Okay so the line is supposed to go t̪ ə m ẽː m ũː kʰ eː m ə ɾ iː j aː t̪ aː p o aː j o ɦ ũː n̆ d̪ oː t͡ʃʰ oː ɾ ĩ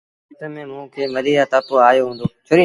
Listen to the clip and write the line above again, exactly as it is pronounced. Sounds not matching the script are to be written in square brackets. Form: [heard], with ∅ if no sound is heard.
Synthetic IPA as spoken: t̪ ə m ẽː m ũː kʰ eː m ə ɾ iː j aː t̪ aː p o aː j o ɦ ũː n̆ d̪ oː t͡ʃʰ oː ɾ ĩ